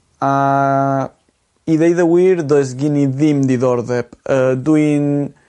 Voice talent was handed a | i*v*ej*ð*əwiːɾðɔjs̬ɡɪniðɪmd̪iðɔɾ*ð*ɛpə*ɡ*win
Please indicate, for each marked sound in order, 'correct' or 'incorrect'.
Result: incorrect: ð, correct, correct, incorrect: d

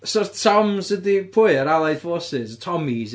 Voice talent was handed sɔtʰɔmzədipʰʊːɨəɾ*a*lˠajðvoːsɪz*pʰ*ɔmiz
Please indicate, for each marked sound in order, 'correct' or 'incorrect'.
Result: correct, incorrect: tʰ

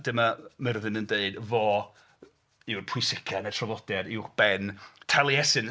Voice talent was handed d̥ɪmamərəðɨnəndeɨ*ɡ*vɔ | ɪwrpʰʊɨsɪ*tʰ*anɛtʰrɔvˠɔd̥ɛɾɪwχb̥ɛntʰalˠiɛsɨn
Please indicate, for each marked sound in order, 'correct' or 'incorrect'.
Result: incorrect: d, incorrect: kʰ

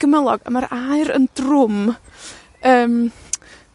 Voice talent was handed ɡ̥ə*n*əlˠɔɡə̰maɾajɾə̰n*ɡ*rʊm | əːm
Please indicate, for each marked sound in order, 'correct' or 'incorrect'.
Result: incorrect: m, incorrect: d

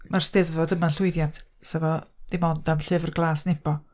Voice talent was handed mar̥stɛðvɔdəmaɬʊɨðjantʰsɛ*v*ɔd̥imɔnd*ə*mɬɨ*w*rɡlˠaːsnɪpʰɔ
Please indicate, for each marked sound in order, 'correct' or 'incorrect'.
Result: correct, incorrect: a, incorrect: v

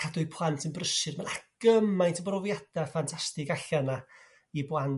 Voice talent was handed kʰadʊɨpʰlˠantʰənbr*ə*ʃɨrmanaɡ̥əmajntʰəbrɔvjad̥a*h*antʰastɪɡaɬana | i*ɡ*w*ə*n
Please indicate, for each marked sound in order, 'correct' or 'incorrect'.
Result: correct, incorrect: f, incorrect: b, incorrect: a

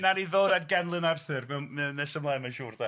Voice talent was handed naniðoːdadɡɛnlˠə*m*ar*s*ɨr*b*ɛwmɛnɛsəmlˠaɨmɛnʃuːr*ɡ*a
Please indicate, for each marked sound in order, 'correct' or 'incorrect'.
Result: incorrect: n, incorrect: θ, incorrect: m, incorrect: d

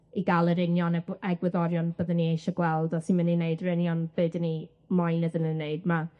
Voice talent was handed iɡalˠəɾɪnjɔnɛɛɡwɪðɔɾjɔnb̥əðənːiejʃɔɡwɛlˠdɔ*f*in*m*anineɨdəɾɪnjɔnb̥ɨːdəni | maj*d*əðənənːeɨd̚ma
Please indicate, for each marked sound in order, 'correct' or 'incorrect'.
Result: incorrect: s, correct, incorrect: n

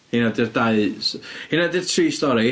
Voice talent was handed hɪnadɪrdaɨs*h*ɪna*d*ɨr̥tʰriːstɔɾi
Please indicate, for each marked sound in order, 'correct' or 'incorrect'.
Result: correct, correct

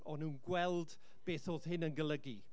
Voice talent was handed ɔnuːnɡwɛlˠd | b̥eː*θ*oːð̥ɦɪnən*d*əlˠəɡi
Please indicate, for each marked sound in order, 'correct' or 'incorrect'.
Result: correct, incorrect: ɡ

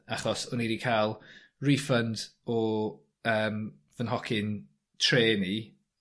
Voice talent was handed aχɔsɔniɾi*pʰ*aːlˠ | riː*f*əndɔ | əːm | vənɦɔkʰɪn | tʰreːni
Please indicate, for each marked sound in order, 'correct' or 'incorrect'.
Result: incorrect: kʰ, correct

